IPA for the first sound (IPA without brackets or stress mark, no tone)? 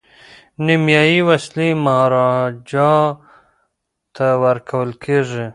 n